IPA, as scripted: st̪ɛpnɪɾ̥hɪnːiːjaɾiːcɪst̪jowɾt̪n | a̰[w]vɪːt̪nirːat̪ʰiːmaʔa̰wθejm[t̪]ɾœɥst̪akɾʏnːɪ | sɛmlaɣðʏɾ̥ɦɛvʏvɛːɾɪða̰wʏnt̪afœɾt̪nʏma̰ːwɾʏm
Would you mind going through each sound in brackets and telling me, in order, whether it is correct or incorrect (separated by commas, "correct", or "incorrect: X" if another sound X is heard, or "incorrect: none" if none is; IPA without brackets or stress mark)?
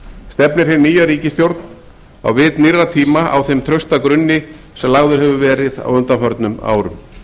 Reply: correct, incorrect: t̪ʰ